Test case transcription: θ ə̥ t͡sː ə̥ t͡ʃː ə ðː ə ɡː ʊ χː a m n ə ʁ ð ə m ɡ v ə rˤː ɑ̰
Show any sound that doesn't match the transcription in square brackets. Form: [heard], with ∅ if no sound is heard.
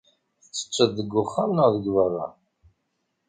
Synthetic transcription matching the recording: θ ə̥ t͡sː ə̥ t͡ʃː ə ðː ə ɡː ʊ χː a m n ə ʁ ð ə [∅] ɡ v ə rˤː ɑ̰